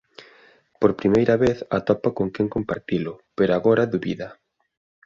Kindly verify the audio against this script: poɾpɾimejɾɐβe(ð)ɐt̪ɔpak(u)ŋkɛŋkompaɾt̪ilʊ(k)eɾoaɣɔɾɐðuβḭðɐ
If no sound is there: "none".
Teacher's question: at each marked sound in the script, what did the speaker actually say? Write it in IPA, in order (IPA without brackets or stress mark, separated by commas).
θ, o, p